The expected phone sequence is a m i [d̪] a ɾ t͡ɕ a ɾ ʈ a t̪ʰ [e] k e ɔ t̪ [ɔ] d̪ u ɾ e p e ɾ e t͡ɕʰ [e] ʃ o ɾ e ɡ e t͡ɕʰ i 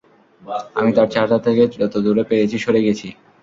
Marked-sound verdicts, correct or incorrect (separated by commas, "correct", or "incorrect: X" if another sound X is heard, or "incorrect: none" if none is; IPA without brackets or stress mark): incorrect: t̪, correct, incorrect: o, incorrect: i